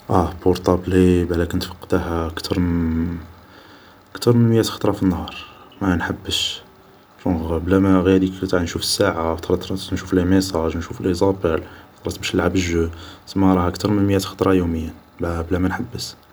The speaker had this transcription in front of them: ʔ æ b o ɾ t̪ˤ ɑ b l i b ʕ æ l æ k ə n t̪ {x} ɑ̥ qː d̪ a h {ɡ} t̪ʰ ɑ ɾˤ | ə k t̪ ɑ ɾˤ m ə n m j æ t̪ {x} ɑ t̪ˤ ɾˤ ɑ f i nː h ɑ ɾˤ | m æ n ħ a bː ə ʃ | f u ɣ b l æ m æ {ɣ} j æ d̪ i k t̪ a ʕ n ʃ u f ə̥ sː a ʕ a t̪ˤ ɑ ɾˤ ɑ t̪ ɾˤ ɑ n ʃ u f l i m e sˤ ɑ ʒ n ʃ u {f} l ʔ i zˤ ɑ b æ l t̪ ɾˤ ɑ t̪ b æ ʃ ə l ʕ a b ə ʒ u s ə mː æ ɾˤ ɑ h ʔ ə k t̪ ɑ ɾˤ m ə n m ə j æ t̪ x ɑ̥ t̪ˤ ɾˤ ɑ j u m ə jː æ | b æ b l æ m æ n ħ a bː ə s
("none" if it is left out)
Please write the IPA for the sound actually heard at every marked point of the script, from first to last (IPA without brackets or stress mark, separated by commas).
f, k, x, ɣ, f